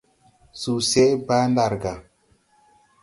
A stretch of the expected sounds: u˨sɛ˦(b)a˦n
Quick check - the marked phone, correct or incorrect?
correct